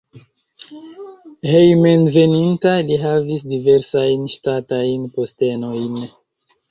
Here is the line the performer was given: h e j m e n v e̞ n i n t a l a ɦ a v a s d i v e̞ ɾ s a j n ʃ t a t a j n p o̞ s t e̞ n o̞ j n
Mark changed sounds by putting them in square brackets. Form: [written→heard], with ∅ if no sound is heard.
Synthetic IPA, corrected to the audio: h e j m e n v e̞ n i n t a l [a→i] ɦ a v [a→i] s d i v e̞ ɾ s a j n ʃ t a t a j n p o̞ s t e̞ n o̞ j n